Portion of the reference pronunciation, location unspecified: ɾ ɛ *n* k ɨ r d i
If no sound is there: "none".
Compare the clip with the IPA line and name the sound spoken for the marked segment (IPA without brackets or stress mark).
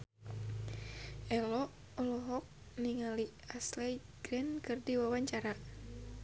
n